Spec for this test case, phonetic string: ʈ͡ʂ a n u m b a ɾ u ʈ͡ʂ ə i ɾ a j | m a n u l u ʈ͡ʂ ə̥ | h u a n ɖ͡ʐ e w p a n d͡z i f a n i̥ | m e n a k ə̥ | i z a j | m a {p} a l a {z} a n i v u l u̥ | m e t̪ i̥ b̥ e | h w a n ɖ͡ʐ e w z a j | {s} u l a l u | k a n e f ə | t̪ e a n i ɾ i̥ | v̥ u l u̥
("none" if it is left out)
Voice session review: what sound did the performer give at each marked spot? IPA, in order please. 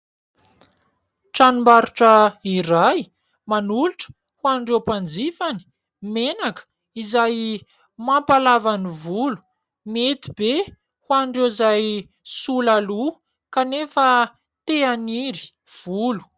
p, v, s

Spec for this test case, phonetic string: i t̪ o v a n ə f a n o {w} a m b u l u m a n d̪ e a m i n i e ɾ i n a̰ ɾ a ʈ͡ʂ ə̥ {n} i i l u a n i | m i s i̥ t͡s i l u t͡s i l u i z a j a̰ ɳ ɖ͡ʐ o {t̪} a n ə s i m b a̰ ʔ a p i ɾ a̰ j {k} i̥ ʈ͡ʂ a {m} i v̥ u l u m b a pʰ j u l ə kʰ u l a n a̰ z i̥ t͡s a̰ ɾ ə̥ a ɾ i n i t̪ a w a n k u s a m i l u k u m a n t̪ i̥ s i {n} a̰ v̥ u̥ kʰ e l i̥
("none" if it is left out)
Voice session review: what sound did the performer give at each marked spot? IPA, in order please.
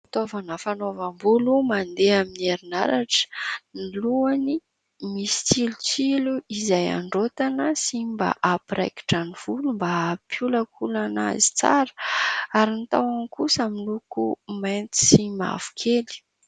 v, n, t̪, k, n, m

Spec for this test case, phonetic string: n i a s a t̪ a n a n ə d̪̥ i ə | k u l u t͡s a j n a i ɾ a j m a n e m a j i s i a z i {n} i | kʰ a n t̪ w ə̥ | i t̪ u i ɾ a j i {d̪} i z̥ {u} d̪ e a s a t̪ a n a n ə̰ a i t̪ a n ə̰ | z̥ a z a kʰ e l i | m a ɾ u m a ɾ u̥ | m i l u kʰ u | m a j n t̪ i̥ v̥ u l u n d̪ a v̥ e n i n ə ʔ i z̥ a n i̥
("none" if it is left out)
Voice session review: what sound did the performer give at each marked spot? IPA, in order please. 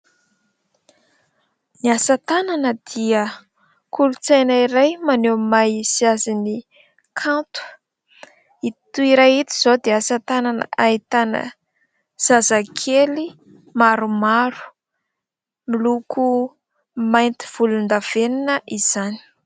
n, t̪, o

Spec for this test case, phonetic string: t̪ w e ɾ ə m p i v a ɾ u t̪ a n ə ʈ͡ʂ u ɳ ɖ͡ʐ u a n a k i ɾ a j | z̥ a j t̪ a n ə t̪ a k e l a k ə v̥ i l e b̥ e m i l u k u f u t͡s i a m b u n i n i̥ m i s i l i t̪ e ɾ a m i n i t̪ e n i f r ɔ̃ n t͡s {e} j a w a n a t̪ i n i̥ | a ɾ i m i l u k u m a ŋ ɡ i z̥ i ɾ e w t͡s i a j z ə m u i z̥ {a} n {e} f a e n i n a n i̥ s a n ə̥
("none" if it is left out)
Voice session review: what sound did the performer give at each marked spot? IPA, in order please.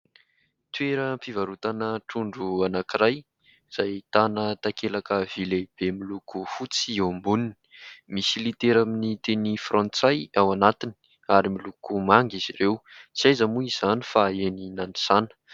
a, a, i

